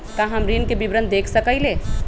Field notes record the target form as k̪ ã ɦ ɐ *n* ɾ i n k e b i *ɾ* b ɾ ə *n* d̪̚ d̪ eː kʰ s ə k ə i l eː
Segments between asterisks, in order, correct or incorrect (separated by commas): incorrect, incorrect, correct